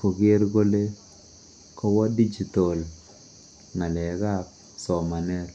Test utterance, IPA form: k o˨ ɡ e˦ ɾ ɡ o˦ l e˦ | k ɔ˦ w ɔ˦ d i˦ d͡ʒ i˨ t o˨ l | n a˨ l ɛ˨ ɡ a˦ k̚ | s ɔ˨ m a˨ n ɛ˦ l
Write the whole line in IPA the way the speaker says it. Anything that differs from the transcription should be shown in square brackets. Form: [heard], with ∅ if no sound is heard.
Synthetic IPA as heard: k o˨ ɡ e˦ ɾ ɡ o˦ l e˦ | k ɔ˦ w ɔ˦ d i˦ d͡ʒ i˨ t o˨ l | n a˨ l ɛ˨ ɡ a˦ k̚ | s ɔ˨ m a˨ n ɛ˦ l